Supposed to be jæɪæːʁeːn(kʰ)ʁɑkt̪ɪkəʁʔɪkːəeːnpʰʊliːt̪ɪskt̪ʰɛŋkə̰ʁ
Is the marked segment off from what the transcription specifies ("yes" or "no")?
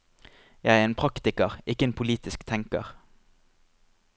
yes